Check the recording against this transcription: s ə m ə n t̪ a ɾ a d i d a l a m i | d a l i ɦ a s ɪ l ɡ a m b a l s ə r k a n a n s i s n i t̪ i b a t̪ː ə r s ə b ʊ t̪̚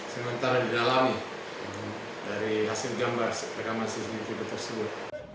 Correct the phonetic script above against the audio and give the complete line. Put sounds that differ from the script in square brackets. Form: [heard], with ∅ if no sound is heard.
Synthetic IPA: s ə m ə n t̪ a ɾ a d i d a l a m i | d a [ɾ] i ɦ a s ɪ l ɡ a m b a [r] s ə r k a [m] a n s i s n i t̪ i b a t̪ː ə r s ə b ʊ t̪̚